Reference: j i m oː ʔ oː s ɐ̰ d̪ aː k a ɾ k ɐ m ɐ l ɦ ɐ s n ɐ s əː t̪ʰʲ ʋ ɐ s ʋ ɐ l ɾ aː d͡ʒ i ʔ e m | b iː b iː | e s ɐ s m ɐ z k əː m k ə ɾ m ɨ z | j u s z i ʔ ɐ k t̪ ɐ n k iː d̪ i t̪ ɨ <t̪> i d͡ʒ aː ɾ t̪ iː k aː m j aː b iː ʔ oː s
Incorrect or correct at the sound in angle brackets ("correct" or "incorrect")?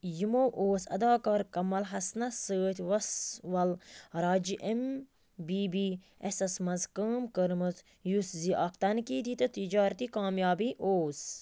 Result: correct